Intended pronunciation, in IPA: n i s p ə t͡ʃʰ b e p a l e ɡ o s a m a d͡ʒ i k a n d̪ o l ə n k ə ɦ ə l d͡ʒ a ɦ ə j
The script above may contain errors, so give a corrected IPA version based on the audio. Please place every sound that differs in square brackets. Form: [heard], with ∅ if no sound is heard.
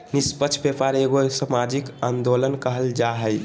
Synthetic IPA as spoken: n i s p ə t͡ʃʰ b e p a [ɾ] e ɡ o s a m a d͡ʒ i k a n d̪ o l ə n k ə ɦ ə l d͡ʒ a ɦ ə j